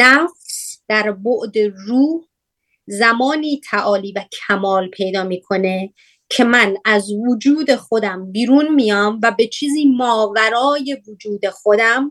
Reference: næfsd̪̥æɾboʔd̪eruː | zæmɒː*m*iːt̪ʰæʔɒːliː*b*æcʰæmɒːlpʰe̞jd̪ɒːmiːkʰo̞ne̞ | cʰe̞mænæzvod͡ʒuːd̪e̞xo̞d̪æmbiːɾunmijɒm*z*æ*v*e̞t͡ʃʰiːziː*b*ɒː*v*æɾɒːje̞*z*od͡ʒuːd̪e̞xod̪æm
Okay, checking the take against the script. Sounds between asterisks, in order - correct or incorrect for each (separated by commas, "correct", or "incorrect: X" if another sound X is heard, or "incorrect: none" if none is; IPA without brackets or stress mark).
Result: incorrect: n, incorrect: v, incorrect: v, incorrect: b, incorrect: m, correct, incorrect: v